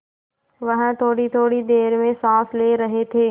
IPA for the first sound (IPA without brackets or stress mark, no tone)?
ʋ